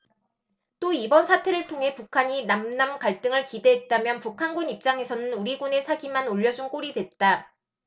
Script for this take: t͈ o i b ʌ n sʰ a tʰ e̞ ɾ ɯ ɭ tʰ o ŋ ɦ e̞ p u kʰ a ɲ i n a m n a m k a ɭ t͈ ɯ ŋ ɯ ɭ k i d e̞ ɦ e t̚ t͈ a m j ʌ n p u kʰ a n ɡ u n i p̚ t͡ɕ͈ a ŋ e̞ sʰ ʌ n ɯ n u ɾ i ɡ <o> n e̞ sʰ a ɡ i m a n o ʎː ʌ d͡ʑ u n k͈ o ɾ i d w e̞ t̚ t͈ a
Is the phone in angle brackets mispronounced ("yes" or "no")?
yes